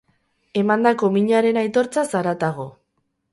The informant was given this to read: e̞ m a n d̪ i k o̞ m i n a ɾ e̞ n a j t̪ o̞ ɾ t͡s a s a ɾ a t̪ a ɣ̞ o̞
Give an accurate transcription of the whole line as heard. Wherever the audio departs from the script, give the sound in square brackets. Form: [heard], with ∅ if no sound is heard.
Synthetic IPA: e̞ m a n d̪ [a] k o̞ m i [ɲ] a ɾ e̞ n a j t̪ o̞ ɾ t͡s a s a ɾ a t̪ a ɣ̞ o̞